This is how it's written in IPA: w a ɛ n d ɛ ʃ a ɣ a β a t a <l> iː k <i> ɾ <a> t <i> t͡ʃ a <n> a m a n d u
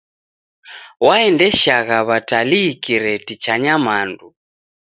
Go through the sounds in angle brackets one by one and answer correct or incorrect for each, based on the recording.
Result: correct, correct, incorrect, correct, incorrect

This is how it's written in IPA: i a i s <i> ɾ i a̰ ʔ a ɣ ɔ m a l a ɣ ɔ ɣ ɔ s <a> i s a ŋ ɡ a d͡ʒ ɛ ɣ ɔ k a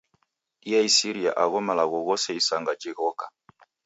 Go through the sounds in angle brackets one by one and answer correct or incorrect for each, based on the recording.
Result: correct, incorrect

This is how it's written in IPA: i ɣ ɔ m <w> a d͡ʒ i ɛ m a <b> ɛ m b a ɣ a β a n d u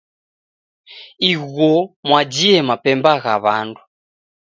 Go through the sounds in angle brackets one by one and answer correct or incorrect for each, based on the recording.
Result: correct, incorrect

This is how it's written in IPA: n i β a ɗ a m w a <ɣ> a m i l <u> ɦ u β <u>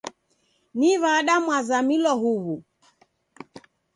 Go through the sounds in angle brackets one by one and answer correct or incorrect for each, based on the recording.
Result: incorrect, incorrect, correct

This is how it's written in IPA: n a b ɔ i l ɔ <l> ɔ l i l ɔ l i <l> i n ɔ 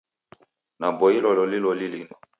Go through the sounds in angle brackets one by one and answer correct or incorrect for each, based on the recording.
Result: correct, correct

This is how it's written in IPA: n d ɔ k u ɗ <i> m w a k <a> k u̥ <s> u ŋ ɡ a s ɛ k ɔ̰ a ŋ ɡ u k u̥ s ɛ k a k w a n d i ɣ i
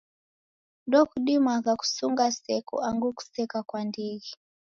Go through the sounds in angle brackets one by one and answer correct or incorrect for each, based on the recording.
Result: correct, correct, correct

